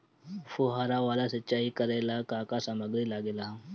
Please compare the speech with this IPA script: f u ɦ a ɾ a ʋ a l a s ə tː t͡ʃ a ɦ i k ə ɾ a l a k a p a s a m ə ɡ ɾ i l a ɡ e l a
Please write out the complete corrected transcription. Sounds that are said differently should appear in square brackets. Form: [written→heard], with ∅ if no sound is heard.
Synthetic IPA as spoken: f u ɦ a ɾ a ʋ a l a s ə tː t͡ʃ a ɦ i k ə ɾ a l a k a [p→k] a s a m ə ɡ ɾ i l a ɡ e l a